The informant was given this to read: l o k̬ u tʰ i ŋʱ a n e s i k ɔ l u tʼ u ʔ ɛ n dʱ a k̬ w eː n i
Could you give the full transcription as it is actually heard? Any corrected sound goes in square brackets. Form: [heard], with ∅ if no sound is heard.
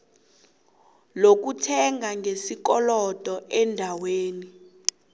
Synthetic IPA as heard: l o k̬ u tʰ [ɛ] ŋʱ a [ŋ] e s i k ɔ l [ɔ] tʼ [ɔ] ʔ ɛ n dʱ a [∅] w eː n i